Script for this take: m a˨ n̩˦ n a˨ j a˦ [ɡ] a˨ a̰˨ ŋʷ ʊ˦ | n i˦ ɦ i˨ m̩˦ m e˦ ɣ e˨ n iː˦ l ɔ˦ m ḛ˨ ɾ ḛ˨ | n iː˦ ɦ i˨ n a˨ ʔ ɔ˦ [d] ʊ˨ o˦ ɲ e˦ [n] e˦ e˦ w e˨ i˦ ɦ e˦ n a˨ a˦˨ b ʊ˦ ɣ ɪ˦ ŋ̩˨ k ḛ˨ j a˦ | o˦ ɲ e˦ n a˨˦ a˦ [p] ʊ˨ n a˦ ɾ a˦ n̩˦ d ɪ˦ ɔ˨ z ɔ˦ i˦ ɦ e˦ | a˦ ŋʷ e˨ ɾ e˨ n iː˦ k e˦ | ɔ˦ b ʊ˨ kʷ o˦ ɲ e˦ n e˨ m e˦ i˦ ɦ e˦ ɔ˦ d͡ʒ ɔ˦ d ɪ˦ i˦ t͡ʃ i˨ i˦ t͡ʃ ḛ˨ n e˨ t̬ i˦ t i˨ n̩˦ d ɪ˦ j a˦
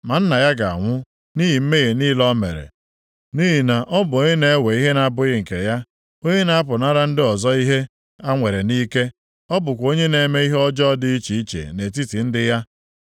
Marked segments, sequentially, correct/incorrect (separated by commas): correct, incorrect, correct, correct